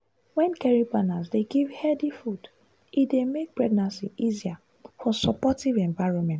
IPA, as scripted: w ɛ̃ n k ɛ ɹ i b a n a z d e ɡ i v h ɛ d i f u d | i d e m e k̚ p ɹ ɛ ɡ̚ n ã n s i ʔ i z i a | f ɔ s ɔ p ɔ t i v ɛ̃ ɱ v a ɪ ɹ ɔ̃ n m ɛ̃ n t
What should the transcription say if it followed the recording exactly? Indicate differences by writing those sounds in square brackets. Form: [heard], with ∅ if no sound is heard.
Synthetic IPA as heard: w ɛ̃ n k ɛ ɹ i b a n a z d e ɡ i v h ɛ d i f u d | i d e m e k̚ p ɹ ɛ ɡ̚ n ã n s i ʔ i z i a | f ɔ s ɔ p ɔ t i v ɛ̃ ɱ v a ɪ ɹ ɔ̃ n m ɛ̃ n t